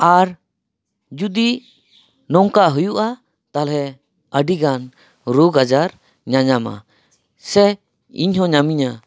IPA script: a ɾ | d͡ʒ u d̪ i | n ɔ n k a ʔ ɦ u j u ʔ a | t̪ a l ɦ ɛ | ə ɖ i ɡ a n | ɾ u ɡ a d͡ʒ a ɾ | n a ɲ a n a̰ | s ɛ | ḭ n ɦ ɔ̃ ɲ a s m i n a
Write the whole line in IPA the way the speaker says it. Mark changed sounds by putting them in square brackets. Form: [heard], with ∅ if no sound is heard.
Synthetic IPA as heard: a ɾ | d͡ʒ u d̪ i | n ɔ [ŋ] k a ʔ ɦ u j u ʔ a | t̪ a l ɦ ɛ | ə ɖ i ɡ a n | ɾ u ɡ a d͡ʒ a ɾ | [ɲ] a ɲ a [m] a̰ | s ɛ | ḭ [ɲ] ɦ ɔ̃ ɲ a [∅] m i [ɲ] a